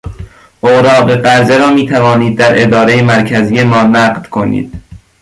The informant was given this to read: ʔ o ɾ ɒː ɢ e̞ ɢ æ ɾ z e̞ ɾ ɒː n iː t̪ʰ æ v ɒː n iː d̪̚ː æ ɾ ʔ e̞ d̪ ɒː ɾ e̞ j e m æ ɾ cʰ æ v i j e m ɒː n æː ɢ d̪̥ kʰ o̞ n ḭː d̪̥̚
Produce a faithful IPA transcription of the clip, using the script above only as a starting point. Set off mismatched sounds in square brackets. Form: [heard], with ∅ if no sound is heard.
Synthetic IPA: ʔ o ɾ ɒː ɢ e̞ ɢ æ ɾ z e̞ ɾ ɒː [m] iː t̪ʰ æ v ɒː n iː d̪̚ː æ ɾ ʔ e̞ d̪ ɒː ɾ e̞ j e m æ ɾ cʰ æ [z] i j e m ɒː n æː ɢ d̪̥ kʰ o̞ n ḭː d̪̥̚